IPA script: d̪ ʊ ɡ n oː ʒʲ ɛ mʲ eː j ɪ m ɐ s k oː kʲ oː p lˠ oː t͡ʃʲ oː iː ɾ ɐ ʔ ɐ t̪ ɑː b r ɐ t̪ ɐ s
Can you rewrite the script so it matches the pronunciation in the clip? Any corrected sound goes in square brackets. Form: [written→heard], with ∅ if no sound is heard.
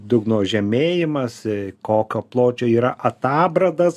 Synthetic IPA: d̪ ʊ ɡ n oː ʒʲ ɛ mʲ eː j ɪ m ɐ s k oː kʲ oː p lˠ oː t͡ʃʲ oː iː ɾ ɐ ʔ ɐ t̪ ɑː b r ɐ [t̪→d̪] ɐ s